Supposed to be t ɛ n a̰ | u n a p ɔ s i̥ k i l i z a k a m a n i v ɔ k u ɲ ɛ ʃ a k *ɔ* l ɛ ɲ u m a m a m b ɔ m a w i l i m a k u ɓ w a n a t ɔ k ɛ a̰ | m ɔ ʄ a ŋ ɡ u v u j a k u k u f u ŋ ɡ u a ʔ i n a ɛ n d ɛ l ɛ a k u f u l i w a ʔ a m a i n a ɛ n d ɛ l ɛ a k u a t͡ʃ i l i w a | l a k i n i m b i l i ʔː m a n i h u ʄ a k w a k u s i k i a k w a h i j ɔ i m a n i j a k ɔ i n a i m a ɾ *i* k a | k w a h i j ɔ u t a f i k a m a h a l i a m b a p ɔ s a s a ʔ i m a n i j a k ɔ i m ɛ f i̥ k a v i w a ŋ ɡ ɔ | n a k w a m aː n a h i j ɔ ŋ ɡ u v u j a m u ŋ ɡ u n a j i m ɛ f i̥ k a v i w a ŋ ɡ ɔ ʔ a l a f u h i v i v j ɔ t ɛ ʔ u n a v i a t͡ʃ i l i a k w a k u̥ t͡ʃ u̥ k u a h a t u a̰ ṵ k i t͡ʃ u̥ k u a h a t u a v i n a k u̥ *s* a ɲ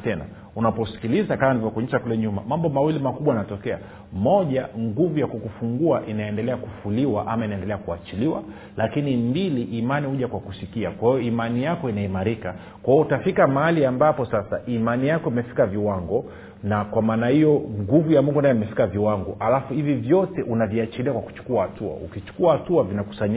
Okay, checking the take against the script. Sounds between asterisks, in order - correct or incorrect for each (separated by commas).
incorrect, correct, correct